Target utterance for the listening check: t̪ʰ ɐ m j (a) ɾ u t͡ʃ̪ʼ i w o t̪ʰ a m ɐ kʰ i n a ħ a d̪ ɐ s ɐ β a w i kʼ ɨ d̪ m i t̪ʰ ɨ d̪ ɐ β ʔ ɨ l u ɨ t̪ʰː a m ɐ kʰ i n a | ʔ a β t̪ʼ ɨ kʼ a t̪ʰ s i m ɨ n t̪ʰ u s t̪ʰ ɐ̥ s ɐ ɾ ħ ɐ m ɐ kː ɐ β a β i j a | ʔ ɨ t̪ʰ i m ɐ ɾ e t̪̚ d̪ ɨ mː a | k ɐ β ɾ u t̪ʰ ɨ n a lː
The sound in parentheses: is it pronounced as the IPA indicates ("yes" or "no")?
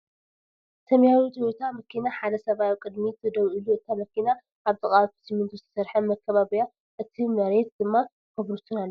yes